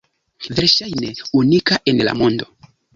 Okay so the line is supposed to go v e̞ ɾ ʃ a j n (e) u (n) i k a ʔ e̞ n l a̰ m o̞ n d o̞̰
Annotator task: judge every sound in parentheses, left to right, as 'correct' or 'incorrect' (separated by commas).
correct, correct